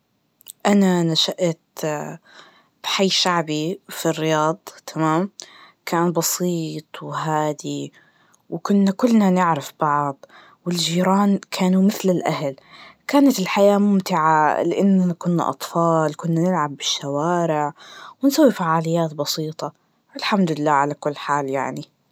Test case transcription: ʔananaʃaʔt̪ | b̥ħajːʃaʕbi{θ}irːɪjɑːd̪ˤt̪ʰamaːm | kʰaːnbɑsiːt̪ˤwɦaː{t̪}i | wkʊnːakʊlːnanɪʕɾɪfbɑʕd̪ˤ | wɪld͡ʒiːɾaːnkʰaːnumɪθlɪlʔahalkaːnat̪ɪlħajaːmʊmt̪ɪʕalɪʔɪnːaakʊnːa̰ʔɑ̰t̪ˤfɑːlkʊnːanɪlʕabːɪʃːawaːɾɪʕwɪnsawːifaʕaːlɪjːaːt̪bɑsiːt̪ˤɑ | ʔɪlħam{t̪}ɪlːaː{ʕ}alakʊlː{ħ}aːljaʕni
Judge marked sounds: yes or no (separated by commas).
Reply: no, no, no, yes, yes